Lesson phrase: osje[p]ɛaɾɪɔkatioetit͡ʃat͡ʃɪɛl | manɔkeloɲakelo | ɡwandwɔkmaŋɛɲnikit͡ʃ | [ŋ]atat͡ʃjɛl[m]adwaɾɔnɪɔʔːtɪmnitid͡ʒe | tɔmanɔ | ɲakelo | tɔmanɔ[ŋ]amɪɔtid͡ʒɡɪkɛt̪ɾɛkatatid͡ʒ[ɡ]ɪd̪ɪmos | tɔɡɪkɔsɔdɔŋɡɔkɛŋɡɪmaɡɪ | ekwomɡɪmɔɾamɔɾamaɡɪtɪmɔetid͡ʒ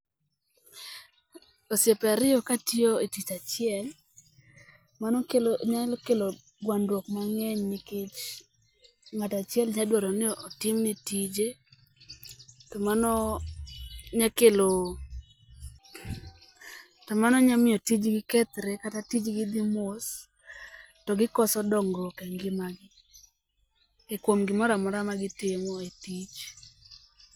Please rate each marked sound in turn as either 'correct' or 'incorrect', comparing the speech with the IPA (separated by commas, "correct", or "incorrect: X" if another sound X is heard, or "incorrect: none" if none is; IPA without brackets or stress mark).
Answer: correct, correct, incorrect: ɲ, incorrect: ɲ, correct